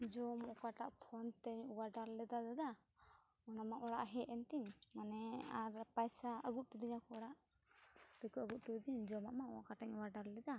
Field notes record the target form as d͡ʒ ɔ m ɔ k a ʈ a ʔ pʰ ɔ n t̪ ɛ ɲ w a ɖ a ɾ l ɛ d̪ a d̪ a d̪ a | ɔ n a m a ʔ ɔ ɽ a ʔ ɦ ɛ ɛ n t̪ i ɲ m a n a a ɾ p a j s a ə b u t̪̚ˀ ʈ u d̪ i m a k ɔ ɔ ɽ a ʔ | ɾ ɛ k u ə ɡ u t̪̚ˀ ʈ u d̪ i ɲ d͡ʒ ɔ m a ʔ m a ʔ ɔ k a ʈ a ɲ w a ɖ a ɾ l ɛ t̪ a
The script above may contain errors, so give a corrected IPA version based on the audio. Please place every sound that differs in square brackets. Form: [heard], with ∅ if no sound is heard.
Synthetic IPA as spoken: d͡ʒ ɔ m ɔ k a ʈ a ʔ pʰ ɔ n t̪ ɛ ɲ w a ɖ a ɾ l ɛ d̪ a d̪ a d̪ a | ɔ n a m a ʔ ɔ ɽ a ʔ ɦ ɛ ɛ n t̪ i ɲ m a n [ɛ] a ɾ p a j s a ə [ɡ] u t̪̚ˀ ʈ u d̪ i [ɲ] a k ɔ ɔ ɽ a ʔ | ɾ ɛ k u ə ɡ u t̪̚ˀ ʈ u d̪ i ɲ d͡ʒ ɔ m a ʔ m a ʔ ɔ k a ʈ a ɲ w a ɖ a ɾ l ɛ [d̪] a